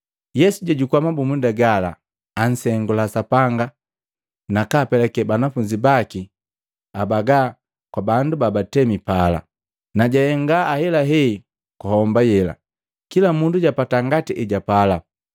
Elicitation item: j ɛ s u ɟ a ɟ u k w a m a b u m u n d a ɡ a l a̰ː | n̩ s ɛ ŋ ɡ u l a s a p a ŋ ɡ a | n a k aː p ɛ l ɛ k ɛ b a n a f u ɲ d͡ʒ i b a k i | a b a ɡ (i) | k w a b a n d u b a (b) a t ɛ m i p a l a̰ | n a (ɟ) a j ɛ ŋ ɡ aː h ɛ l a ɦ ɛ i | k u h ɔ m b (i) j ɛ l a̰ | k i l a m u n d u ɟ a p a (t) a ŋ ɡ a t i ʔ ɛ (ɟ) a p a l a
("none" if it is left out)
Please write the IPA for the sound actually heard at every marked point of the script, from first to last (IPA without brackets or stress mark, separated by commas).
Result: a, b, ɟ, a, t, ɟ